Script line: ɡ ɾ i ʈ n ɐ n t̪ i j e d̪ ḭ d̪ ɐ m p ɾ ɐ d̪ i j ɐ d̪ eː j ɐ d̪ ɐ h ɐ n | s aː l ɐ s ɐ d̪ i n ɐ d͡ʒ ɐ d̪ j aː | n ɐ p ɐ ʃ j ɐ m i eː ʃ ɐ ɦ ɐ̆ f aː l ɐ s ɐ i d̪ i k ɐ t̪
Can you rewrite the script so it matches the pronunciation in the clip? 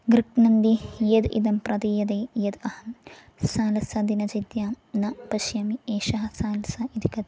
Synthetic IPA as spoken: ɡ ɾ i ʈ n ɐ n d̪ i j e d̪ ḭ d̪ ɐ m p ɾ ɐ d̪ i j ɐ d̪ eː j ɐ d̪ ɐ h ɐ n | s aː l ɐ s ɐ d̪ i n ɐ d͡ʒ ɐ d̪ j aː | n ɐ p ɐ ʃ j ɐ m i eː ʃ ɐ ɦ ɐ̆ s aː l ɐ s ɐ i d̪ i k ɐ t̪